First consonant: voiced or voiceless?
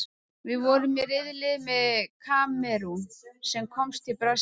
voiced